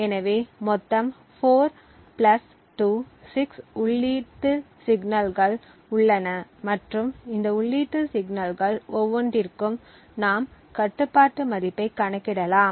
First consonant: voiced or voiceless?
voiced